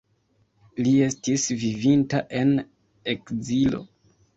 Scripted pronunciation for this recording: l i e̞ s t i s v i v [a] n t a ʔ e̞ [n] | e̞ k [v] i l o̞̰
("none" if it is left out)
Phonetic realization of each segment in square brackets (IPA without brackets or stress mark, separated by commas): i, n, z